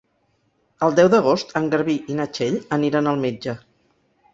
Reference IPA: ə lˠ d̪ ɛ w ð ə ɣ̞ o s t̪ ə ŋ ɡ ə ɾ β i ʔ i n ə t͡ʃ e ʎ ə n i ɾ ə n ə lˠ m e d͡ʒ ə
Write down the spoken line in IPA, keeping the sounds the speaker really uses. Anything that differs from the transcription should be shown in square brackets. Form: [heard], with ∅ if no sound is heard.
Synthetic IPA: ə lˠ d̪ ɛ w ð ə ɣ̞ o s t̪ ə ŋ ɡ ə ɾ β i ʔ i n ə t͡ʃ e ʎ ə n i ɾ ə n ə lˠ m e d͡ʒ ə